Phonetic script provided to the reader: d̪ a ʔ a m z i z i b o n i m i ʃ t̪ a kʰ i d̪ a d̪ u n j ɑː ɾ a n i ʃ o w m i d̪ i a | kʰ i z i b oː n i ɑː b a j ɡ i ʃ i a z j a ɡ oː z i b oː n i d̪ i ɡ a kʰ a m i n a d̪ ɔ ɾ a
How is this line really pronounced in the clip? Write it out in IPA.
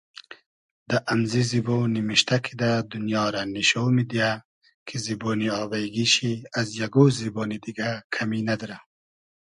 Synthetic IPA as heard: d̪ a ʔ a m z i z i b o n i m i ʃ t̪ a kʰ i d̪ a d̪ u n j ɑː ɾ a n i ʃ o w m i d̪ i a | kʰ i z i b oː n i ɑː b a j ɡ i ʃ i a z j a ɡ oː z i b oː n i d̪ i ɡ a kʰ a m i n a d̪ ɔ ɾ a